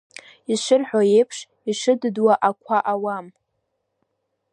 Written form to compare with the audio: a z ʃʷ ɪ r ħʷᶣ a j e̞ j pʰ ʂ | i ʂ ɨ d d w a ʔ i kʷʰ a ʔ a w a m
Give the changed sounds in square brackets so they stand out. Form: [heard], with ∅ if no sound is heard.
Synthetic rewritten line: [i] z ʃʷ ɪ r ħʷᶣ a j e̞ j pʰ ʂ | i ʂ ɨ d d w a ʔ [a] kʷʰ a ʔ a w a m